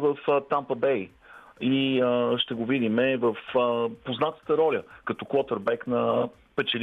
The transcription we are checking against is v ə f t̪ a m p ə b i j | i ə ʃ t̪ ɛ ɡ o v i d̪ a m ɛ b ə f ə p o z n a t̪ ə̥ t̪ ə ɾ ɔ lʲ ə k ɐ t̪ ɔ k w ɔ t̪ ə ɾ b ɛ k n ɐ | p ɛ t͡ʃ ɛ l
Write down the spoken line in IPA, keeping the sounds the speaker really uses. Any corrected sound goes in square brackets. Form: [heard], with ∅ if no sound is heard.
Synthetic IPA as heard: v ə f t̪ a m p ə b [ɛ] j | i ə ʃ t̪ ɛ ɡ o v i d̪ [i] m ɛ [v] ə f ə p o z n a t̪ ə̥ t̪ ə ɾ ɔ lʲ ə k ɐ t̪ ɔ k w ɔ t̪ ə ɾ b ɛ k n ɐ | p ɛ t͡ʃ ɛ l